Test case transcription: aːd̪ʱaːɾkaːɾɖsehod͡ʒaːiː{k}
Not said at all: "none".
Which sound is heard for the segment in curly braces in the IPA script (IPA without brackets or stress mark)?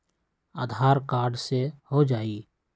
none